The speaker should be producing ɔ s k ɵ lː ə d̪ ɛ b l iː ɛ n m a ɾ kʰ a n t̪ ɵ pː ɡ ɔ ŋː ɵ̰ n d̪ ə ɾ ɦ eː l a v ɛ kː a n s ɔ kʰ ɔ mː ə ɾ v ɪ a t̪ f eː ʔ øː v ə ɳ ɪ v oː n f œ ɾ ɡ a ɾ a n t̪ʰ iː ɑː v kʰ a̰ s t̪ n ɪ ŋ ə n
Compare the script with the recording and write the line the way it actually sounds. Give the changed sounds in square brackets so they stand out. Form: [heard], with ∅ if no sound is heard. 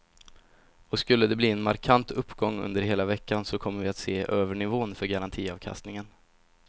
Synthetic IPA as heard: ɔ s k ɵ lː ə d̪ ɛ b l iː ɛ n m a ɾ kʰ a n t̪ ɵ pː ɡ ɔ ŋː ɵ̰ n d̪ ə ɾ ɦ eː l a v ɛ kː a n s ɔ kʰ ɔ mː ə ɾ v ɪ a t̪ [s] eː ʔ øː v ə ɳ ɪ v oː n f œ ɾ ɡ a ɾ a n t̪ʰ iː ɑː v kʰ a̰ s t̪ n ɪ ŋ ə n